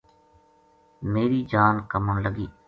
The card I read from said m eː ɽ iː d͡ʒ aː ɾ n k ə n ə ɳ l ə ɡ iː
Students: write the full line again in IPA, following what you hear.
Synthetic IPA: m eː ɾ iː d͡ʒ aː n k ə m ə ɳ l ə ɡ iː